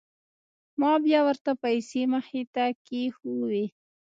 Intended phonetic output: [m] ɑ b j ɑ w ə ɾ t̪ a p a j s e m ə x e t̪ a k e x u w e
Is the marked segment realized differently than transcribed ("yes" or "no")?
no